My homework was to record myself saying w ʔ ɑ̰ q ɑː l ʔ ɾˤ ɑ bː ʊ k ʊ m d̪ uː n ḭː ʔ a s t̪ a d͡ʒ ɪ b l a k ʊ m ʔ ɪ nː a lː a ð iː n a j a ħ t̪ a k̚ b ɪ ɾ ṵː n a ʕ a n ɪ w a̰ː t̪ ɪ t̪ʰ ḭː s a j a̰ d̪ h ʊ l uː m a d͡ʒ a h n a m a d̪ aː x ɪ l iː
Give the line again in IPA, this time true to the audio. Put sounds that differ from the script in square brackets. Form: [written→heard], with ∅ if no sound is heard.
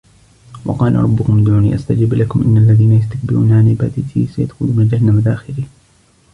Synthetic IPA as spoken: w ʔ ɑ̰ q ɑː l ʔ ɾˤ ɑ bː ʊ k ʊ m d̪ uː n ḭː ʔ a s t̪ a d͡ʒ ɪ b l a k ʊ m ʔ ɪ nː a lː a ð iː n a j a [ħ→s] t̪ a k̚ b ɪ ɾ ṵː n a ʕ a n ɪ [w→b] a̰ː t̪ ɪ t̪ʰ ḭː s a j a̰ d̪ [h→x] ʊ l uː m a d͡ʒ a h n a m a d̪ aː x ɪ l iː